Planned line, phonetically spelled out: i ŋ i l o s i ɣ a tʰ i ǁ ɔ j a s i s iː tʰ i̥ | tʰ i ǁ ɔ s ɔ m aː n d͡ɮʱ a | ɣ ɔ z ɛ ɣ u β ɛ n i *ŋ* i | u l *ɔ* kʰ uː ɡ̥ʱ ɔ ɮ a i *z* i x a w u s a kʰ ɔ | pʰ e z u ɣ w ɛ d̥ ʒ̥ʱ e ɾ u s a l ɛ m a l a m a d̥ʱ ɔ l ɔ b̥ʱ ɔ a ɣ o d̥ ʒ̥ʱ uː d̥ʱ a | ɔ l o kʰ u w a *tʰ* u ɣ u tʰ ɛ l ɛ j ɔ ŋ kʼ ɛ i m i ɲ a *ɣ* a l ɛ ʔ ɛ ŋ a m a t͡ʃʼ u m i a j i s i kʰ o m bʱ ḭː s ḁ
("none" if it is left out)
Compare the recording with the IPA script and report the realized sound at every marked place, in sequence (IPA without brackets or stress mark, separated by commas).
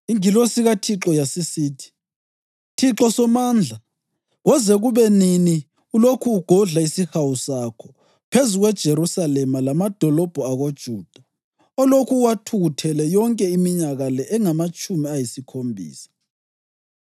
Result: n, o, s, tʰ, ɣ